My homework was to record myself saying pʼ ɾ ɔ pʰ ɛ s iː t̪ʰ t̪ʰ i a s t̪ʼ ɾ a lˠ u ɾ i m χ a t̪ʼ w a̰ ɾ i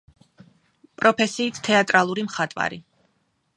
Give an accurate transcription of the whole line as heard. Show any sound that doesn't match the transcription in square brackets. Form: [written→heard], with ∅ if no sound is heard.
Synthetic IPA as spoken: pʼ ɾ ɔ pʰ ɛ s iː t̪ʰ t̪ʰ [i→ɛ] a [s→∅] t̪ʼ ɾ a lˠ u ɾ i m χ a t̪ʼ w a̰ ɾ i